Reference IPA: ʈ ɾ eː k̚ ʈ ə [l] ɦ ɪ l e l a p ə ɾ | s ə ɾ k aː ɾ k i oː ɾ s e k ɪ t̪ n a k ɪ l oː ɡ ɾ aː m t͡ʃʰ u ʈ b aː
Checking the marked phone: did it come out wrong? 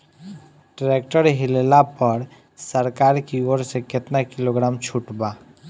yes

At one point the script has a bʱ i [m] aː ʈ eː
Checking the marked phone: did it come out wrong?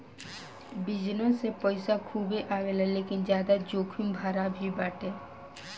yes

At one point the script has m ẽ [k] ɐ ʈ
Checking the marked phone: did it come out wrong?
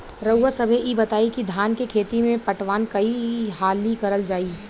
yes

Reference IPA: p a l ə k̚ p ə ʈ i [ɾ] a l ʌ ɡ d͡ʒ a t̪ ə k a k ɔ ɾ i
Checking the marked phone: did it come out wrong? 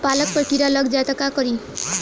no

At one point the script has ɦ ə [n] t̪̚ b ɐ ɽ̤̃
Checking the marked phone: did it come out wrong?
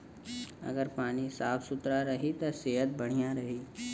yes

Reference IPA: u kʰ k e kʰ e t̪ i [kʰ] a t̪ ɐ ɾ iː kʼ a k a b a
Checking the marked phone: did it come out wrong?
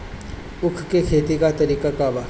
yes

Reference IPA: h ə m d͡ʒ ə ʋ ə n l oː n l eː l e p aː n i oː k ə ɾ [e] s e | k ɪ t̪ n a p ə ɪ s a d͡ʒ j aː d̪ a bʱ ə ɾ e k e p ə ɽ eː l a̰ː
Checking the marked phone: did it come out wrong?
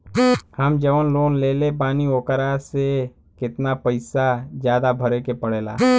yes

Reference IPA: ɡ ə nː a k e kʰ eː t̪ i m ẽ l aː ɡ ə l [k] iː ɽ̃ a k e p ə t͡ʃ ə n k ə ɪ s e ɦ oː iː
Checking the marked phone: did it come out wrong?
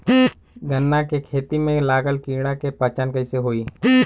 no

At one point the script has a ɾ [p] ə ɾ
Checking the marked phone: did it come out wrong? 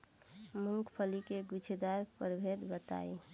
no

